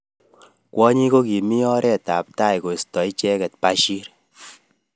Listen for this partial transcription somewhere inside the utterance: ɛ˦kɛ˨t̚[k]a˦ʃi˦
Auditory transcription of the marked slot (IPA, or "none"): p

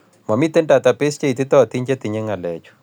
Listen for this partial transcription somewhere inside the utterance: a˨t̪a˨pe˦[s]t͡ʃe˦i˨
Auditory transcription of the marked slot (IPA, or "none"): s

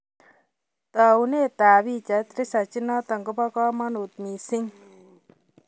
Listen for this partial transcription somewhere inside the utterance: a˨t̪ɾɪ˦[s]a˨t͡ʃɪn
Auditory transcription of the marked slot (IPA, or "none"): s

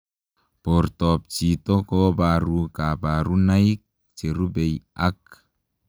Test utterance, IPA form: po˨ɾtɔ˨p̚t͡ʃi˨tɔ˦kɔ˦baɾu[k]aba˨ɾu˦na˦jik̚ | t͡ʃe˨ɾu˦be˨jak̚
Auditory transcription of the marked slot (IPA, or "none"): k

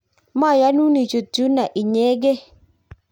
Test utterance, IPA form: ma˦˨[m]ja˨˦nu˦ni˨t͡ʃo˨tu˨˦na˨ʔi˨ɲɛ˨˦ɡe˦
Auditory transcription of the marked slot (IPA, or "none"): none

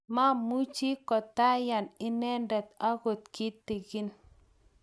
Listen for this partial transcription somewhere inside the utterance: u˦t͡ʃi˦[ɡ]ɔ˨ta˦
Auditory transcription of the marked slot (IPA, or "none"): k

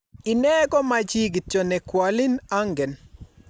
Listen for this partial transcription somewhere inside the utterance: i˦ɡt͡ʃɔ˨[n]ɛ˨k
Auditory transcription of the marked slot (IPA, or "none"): n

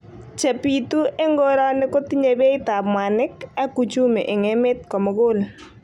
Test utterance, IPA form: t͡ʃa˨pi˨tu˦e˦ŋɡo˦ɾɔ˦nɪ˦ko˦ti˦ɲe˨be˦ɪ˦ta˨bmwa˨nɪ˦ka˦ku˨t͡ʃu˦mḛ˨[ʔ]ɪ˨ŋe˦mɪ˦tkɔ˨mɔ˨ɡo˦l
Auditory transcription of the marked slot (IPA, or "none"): ʔ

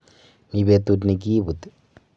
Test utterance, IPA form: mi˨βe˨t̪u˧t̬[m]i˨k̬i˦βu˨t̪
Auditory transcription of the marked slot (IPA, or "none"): n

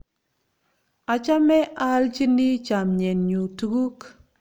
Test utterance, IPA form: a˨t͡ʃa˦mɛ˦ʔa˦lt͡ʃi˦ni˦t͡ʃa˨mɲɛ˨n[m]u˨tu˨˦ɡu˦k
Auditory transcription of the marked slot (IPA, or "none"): ɲ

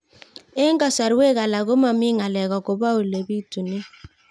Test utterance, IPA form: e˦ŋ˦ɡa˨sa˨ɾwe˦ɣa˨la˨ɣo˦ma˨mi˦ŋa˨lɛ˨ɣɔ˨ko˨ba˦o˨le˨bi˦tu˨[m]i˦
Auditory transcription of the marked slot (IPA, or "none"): n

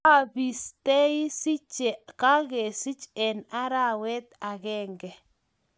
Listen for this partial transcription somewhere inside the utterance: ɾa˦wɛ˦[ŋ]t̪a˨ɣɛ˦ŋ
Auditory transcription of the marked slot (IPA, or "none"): none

